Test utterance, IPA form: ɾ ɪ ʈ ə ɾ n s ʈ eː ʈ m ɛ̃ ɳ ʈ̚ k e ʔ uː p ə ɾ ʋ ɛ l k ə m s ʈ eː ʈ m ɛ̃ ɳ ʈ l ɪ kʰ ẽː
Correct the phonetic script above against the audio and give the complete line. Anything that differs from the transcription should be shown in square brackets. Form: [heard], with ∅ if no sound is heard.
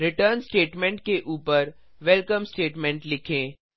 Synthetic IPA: ɾ ɪ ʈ ə ɾ n s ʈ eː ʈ m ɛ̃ ɳ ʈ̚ k e ʔ uː p ə ɾ ʋ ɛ l k ə m s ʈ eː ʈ m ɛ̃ ɳ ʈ l ɪ kʰ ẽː